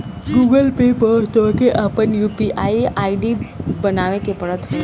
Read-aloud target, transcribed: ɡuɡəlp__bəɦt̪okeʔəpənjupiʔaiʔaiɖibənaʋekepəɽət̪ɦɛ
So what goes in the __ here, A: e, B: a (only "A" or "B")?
A